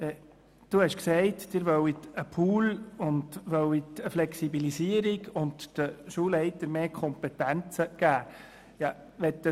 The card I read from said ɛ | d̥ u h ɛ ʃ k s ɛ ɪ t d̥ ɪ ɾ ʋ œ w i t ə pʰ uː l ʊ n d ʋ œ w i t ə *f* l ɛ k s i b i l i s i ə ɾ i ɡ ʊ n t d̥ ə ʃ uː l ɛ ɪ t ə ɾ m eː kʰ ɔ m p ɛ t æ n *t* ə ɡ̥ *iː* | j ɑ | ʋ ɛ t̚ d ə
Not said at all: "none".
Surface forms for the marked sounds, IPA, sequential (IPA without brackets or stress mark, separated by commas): f, t͡s, æː